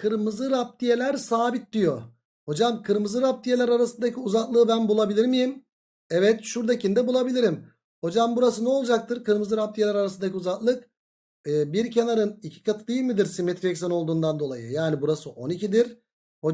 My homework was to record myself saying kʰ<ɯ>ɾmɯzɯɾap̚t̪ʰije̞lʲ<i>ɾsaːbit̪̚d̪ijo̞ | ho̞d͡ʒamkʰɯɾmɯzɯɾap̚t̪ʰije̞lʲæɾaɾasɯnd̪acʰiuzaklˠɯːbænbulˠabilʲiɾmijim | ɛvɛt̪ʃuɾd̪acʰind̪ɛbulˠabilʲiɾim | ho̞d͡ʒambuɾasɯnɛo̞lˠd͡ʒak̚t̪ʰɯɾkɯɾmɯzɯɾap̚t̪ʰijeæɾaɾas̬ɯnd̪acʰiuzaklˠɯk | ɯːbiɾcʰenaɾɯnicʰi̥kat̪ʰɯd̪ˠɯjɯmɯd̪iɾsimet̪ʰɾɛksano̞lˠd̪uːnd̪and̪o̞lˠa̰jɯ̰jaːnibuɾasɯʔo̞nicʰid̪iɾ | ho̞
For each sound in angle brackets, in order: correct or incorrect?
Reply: correct, incorrect: æ

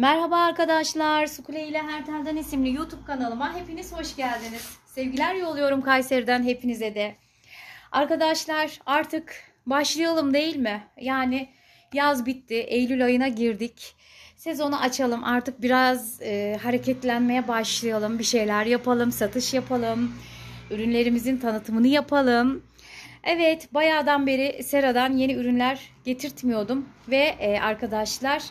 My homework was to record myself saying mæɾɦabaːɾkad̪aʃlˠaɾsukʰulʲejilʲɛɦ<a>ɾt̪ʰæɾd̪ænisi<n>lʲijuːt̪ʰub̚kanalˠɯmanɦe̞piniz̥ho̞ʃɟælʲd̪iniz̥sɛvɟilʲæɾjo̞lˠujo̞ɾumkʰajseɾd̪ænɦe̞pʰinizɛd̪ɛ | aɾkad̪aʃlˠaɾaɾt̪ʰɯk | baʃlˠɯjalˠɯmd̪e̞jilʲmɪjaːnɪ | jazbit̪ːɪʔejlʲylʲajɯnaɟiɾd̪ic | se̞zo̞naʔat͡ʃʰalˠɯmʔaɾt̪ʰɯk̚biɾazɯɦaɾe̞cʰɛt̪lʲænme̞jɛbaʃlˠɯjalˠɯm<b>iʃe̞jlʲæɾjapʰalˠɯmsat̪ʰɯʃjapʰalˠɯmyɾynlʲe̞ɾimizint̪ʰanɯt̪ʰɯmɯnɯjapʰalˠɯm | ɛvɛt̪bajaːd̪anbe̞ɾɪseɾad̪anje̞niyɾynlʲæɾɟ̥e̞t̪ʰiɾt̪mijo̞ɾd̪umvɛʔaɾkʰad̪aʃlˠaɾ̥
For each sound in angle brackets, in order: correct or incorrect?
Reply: incorrect: æ, incorrect: m, correct

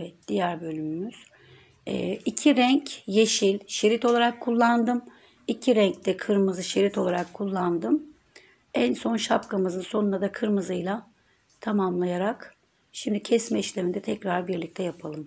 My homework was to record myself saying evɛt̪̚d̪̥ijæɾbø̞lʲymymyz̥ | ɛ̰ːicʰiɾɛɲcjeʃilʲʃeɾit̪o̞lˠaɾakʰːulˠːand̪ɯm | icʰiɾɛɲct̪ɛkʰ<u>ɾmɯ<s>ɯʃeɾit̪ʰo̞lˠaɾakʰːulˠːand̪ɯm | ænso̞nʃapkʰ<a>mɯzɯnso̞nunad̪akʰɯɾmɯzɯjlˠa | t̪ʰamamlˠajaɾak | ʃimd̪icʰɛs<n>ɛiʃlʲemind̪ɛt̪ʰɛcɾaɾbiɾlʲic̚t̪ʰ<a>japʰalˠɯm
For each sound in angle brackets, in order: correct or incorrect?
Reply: incorrect: ɯ, incorrect: z, correct, incorrect: m, incorrect: ɛ

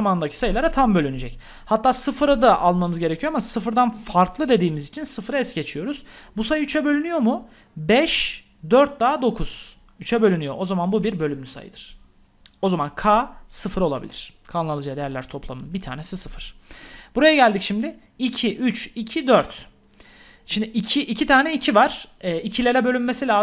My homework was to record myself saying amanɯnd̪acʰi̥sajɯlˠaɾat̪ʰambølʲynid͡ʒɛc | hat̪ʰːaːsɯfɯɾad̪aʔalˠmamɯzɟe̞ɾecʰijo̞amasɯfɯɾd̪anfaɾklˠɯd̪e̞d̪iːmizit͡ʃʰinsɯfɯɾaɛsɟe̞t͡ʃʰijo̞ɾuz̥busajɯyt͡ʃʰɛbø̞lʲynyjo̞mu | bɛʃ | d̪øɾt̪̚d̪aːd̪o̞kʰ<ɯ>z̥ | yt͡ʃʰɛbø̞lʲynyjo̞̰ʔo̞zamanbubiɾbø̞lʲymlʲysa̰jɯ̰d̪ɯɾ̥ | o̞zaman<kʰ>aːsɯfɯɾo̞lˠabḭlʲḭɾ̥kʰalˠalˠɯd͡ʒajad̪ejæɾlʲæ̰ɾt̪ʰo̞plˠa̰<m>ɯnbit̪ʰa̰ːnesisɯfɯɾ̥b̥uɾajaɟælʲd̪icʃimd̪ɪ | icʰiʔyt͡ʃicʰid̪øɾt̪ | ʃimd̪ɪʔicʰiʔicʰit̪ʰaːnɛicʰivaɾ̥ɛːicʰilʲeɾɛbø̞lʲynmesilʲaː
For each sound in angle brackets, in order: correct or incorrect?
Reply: incorrect: u, correct, correct

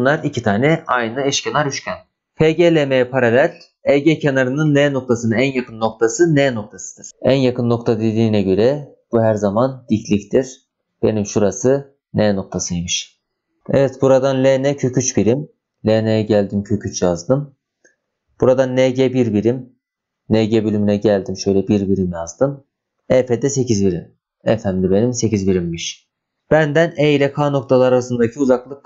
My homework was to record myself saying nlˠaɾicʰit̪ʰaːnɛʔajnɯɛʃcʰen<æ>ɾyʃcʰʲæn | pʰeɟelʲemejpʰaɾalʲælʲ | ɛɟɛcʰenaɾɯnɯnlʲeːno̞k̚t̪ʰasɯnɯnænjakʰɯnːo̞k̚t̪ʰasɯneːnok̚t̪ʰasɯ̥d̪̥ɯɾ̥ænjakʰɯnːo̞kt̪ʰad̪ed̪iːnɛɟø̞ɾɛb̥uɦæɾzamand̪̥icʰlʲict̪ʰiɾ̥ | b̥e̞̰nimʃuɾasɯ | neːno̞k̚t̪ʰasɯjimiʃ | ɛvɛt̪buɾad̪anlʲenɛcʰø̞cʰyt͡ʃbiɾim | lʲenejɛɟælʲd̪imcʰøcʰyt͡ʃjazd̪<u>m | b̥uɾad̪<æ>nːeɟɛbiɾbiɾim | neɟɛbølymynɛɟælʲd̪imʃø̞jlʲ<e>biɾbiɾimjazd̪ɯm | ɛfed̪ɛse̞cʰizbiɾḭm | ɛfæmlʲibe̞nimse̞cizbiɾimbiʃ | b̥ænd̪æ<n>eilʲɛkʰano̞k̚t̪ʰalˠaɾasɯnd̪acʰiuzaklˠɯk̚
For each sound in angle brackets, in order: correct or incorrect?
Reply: incorrect: a, incorrect: ɯ, incorrect: a, incorrect: ɛ, correct

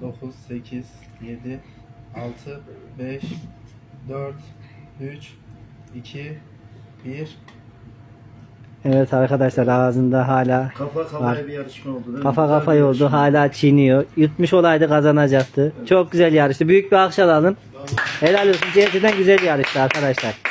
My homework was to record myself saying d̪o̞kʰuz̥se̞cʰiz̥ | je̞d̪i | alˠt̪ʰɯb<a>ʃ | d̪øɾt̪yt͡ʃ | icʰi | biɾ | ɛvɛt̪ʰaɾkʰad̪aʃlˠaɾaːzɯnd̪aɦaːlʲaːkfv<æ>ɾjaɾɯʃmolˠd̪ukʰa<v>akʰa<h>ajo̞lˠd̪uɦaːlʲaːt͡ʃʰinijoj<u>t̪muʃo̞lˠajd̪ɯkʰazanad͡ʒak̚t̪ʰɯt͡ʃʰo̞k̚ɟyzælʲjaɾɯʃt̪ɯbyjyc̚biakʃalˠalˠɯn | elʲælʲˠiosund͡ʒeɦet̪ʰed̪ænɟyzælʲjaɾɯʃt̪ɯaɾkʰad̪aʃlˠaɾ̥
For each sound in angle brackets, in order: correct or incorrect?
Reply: incorrect: ɛ, incorrect: a, incorrect: f, incorrect: f, correct

